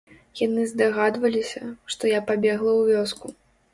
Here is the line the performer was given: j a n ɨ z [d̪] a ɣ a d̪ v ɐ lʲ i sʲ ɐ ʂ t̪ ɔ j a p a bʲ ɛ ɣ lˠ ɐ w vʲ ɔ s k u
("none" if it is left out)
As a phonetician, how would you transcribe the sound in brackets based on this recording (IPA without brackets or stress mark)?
d̪